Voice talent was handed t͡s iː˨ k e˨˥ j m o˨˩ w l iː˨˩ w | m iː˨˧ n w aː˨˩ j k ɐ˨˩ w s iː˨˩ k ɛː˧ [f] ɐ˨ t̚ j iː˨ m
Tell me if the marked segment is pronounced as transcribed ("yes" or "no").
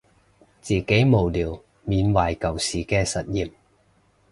no